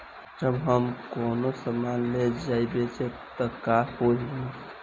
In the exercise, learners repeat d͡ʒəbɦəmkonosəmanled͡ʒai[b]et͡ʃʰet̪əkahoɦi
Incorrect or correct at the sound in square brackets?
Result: correct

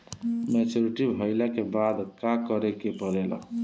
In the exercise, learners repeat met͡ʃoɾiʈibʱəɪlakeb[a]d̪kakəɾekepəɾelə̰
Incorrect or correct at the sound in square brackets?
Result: correct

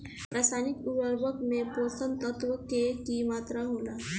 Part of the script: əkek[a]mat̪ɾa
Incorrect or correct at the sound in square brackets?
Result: incorrect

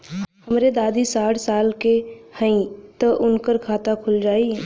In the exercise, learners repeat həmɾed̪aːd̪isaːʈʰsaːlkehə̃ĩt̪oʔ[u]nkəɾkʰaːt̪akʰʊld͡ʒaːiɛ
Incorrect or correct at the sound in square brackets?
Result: incorrect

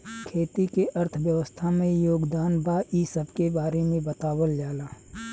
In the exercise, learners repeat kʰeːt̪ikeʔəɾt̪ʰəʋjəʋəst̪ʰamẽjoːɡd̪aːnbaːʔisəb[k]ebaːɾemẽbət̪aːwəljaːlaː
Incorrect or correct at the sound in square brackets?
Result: correct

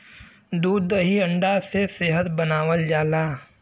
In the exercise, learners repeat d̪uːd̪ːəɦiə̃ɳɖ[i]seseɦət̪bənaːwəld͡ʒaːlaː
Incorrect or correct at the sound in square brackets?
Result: incorrect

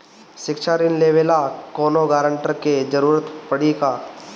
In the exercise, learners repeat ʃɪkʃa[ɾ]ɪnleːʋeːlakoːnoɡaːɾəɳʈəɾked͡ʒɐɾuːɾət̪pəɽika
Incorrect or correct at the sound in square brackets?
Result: correct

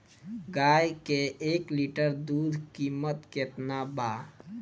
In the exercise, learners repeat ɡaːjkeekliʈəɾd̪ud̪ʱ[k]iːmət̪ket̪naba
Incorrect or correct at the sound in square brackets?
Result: correct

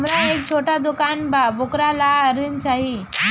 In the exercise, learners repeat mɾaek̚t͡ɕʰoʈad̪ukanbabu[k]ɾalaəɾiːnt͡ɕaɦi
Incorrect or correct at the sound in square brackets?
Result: correct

